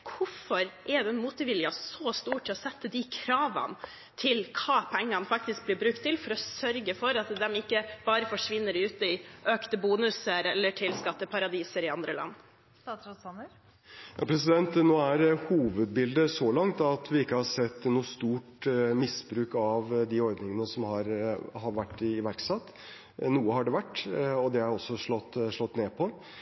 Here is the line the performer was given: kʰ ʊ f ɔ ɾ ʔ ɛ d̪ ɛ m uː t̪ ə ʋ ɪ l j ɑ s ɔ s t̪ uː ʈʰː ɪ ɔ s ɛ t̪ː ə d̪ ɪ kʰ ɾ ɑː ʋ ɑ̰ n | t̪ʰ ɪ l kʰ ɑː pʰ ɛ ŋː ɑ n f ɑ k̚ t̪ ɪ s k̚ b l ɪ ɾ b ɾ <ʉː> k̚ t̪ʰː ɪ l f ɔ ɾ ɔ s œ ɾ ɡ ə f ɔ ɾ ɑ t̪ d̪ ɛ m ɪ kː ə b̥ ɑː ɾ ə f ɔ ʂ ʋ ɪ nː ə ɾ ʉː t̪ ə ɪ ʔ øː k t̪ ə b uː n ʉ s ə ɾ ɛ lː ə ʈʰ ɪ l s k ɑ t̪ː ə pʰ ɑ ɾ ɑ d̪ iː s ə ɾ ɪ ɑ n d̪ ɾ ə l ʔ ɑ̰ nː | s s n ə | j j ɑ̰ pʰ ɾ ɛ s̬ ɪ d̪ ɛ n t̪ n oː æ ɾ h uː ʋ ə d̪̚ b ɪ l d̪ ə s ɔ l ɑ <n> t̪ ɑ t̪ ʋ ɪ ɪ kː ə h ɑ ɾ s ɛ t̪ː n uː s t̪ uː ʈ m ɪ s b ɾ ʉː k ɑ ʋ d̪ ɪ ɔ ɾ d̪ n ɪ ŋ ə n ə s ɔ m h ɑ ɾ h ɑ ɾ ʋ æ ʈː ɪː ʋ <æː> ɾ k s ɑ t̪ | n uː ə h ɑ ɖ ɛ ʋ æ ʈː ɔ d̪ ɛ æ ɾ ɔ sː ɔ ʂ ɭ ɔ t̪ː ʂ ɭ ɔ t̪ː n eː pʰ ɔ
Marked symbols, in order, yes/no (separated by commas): no, no, no